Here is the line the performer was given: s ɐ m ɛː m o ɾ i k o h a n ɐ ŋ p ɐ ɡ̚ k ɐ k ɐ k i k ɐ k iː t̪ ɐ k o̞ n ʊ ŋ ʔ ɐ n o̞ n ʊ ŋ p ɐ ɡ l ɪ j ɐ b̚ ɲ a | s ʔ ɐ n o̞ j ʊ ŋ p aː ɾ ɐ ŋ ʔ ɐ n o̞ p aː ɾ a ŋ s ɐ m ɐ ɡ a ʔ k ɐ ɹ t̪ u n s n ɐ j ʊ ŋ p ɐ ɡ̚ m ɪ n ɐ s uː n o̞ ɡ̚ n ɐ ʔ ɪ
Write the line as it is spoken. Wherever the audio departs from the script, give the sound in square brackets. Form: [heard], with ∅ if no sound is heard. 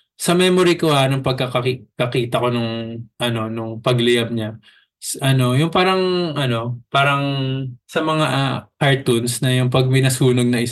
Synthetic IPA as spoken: s ɐ m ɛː m o ɾ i k o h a n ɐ ŋ p ɐ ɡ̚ k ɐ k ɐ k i k ɐ k iː t̪ ɐ k o̞ n ʊ ŋ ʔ ɐ n o̞ n ʊ ŋ p ɐ ɡ l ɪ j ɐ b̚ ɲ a | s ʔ ɐ n o̞ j ʊ ŋ p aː ɾ ɐ ŋ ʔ ɐ n o̞ p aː ɾ [ɐ] ŋ s ɐ m ɐ [ŋ] a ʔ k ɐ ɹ t̪ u n s n ɐ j ʊ ŋ p ɐ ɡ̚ m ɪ n ɐ s uː n o̞ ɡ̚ n ɐ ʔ ɪ